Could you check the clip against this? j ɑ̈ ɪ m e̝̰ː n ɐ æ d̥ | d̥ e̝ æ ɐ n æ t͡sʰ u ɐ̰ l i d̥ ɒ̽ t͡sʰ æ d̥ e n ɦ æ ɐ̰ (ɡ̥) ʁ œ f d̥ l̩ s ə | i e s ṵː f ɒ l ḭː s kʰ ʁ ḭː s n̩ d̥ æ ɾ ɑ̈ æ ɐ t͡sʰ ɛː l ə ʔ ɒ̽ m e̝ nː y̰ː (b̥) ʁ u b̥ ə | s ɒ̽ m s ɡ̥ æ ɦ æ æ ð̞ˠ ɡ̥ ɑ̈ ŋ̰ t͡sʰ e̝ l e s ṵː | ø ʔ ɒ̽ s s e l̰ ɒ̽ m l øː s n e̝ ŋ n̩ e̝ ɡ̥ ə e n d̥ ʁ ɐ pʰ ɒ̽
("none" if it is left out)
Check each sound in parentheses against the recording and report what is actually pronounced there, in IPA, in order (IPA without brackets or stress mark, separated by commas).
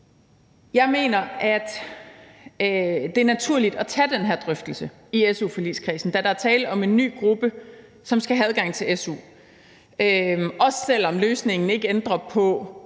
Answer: d̥, ɡ̥